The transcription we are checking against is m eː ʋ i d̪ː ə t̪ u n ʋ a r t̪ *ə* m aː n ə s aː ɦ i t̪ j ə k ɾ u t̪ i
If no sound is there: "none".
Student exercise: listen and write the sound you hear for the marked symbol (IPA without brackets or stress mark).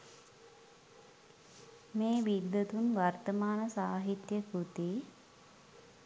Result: ə